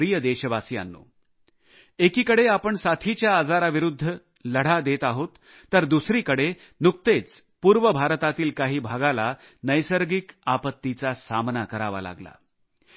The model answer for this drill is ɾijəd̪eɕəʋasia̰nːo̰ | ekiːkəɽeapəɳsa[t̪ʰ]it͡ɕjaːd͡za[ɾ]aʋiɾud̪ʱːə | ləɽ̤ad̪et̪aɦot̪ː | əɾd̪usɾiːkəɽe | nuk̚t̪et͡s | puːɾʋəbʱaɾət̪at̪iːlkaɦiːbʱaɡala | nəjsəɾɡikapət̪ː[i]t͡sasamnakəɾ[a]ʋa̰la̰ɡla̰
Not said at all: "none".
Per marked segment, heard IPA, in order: t̪ʰ, ɾ, i, a

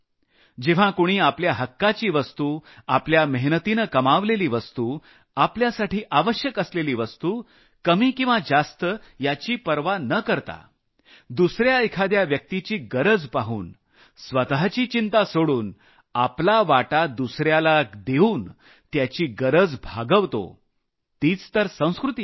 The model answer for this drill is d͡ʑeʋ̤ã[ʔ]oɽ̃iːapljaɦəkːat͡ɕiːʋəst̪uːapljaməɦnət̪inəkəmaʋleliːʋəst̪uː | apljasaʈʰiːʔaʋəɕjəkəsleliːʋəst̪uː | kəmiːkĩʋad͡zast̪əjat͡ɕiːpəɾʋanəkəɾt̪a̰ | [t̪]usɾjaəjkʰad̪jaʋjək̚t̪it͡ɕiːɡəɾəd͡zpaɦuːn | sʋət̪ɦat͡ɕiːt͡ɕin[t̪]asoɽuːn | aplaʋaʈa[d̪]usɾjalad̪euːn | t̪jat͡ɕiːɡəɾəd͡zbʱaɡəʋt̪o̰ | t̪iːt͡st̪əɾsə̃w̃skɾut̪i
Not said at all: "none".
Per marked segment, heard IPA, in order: k, d̪, t̪, d̪

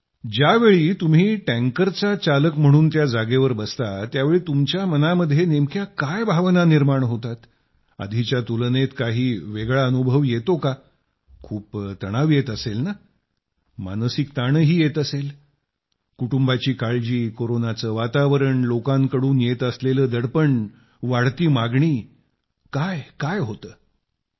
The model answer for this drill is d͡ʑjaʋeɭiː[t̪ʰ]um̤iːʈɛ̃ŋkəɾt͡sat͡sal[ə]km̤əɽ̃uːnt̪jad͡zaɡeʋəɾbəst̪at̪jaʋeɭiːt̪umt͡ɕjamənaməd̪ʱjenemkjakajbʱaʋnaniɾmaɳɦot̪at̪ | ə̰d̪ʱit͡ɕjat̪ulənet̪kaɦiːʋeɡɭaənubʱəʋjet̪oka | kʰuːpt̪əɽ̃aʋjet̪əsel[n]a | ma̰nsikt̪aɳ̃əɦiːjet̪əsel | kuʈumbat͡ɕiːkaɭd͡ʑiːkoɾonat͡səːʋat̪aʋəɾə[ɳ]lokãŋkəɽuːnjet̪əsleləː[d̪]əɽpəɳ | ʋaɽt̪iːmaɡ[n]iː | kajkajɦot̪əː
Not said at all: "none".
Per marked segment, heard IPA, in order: t̪, ə, n, ɳ, d̪, ɳ

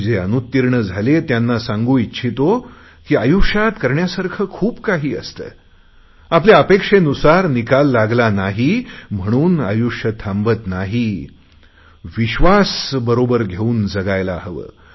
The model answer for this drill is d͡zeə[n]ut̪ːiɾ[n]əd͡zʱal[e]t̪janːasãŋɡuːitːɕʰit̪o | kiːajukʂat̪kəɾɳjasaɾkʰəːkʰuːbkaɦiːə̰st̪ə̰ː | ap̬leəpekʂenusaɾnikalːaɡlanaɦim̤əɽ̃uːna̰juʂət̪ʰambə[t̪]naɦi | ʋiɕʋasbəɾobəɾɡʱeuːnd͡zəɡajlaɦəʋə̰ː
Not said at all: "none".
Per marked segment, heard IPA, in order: n, ɳ, e, t̪

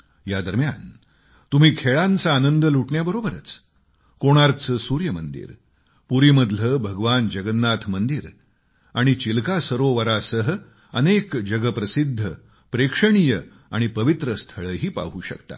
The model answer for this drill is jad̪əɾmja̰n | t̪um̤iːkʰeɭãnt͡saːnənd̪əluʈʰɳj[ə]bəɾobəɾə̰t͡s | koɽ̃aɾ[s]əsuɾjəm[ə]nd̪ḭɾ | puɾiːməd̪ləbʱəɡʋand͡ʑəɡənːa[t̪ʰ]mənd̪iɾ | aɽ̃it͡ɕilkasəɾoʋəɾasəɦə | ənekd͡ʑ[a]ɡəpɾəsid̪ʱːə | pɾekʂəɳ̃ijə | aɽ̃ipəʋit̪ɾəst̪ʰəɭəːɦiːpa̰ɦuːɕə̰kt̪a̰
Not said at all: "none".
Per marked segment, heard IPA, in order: a, t͡s, ə, t̪ʰ, ə

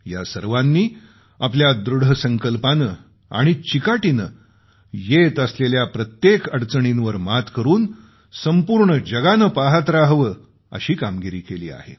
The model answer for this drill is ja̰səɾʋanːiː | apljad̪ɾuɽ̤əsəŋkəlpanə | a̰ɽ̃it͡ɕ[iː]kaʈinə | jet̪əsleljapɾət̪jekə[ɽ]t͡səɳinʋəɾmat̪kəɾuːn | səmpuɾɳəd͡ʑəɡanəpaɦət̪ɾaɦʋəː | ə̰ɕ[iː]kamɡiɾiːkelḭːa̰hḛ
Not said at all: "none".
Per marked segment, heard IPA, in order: i, ɽ, iː

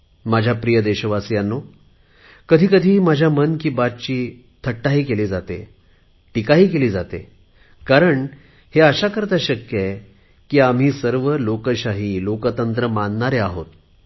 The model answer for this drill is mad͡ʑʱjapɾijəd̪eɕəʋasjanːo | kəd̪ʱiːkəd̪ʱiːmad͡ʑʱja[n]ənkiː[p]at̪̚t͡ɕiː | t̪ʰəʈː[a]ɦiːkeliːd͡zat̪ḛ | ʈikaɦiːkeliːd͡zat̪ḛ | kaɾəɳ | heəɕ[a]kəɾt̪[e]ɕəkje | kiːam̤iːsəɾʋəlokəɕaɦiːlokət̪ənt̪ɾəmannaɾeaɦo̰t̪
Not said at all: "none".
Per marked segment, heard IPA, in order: m, b, a, a, a

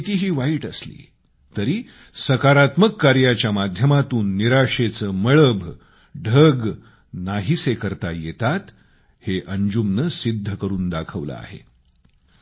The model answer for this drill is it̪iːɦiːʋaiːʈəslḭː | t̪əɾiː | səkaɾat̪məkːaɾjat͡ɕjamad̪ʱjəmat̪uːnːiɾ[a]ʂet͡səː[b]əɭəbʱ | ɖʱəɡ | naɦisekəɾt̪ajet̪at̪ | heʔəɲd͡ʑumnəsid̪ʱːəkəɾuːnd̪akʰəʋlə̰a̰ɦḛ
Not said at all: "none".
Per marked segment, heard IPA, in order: a, m

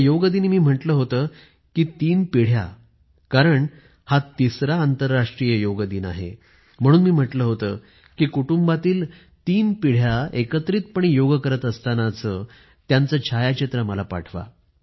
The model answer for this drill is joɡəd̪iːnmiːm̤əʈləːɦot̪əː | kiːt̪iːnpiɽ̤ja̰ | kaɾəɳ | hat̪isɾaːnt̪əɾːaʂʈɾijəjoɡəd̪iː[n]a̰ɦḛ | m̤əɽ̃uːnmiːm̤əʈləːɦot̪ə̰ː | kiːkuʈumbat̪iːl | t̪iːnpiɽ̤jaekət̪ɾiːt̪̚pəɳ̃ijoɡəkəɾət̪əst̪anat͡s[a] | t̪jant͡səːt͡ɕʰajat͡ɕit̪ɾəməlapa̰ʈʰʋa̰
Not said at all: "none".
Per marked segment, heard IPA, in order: n, ə

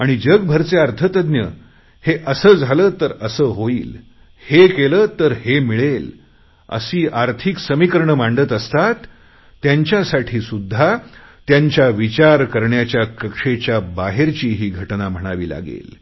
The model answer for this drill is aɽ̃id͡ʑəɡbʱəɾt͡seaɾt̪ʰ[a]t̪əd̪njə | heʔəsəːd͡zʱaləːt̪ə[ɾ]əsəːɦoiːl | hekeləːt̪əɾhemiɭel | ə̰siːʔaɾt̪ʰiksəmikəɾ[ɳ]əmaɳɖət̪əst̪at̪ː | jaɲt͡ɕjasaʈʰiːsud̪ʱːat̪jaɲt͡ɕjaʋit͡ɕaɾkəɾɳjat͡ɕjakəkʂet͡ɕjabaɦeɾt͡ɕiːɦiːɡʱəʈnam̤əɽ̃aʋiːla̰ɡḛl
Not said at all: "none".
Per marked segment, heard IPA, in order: ə, ɾ, ɳ

